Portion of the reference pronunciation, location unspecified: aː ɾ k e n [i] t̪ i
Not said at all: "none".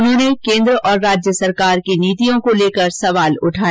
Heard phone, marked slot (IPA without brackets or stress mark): iː